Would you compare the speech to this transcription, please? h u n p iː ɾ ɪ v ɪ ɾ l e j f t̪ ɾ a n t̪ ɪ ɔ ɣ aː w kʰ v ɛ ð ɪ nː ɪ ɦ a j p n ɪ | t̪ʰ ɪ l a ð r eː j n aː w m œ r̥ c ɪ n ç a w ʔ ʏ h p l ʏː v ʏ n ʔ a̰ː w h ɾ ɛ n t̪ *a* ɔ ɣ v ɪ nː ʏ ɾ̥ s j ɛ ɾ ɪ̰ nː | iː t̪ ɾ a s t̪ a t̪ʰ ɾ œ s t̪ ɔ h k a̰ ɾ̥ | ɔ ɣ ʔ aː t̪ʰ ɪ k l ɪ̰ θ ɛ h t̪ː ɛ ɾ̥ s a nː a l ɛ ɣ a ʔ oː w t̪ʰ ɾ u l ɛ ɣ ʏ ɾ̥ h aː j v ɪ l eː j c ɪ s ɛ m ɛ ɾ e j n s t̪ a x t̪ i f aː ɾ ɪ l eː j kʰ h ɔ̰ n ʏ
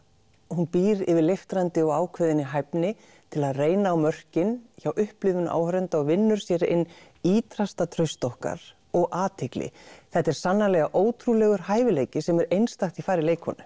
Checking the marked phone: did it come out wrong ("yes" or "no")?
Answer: no